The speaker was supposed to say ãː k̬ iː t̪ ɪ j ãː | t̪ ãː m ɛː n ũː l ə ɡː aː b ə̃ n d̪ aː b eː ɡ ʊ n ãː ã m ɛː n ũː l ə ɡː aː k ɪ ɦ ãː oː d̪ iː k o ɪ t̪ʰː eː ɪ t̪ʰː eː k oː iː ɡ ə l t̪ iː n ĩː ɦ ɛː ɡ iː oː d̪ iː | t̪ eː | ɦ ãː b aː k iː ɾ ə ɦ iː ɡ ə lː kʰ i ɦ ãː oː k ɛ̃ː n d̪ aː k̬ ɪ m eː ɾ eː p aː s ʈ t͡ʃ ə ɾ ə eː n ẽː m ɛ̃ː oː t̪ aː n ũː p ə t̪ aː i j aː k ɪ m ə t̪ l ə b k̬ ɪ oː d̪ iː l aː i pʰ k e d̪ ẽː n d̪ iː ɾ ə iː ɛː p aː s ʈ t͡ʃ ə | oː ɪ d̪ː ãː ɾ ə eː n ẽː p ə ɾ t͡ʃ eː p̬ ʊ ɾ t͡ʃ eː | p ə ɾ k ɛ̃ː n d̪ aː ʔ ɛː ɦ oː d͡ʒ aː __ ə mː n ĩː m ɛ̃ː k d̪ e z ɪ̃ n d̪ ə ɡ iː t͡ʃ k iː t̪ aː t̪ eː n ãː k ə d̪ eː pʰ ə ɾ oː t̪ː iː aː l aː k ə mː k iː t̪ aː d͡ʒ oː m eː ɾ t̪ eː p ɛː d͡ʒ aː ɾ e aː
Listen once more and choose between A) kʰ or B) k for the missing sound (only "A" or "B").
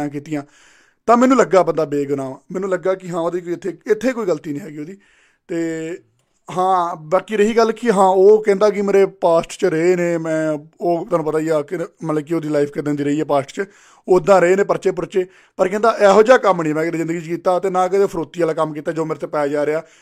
B